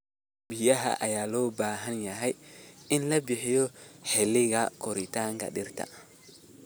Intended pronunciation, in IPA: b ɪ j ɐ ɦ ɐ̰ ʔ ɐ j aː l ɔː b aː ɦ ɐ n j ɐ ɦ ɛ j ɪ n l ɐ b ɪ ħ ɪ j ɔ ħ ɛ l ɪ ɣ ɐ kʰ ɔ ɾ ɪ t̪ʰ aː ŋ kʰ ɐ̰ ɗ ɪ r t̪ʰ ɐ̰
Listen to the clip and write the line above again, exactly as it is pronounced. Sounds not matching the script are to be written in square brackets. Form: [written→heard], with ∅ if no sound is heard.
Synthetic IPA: b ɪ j ɐ ɦ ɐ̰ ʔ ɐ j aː l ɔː b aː ɦ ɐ n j ɐ ɦ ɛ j ɪ n l ɐ b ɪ ħ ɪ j ɔ ħ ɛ l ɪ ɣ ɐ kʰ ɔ ɾ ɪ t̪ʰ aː ŋ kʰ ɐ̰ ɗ ɪ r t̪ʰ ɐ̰